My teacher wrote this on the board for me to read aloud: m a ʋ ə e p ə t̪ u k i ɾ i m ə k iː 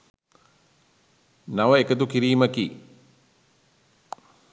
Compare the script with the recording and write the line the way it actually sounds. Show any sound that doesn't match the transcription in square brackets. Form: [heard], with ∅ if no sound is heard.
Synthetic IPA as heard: [n] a ʋ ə e [k] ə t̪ u k i ɾ [iː] m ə k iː